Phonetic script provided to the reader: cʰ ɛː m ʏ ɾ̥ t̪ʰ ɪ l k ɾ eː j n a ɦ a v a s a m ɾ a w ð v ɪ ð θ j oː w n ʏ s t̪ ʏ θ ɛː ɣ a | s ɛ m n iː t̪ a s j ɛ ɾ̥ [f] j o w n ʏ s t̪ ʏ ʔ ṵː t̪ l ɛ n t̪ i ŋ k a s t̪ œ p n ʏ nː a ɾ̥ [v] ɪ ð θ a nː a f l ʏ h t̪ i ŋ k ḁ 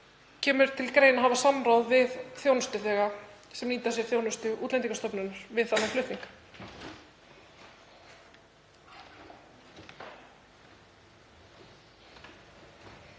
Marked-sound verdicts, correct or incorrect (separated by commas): incorrect, correct